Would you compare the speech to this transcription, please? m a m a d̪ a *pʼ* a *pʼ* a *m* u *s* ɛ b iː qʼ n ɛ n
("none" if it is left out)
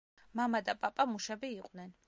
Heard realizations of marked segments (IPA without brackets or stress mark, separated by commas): pʼ, pʼ, m, ʃ